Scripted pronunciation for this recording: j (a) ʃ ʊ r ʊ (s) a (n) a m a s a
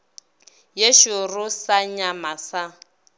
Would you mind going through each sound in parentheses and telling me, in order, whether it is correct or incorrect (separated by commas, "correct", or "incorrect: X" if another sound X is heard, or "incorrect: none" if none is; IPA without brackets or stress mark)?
incorrect: e, correct, incorrect: ɲ